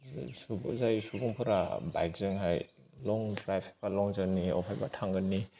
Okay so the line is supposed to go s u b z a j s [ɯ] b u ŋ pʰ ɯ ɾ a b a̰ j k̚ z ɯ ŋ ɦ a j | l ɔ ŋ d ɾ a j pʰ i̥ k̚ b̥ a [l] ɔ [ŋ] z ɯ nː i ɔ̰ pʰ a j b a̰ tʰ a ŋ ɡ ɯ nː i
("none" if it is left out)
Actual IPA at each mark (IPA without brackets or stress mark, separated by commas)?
u, l, ŋ